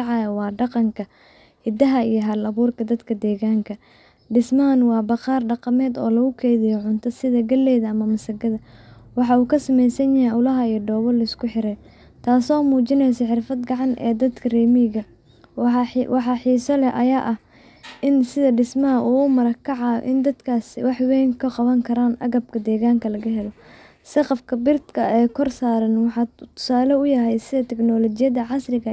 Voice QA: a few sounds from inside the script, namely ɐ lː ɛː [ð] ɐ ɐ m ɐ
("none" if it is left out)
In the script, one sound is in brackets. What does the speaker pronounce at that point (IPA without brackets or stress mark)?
ð